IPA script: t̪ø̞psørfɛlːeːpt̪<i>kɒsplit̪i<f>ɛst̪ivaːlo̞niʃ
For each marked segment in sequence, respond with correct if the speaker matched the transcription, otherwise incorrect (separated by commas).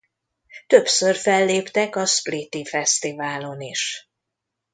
incorrect, correct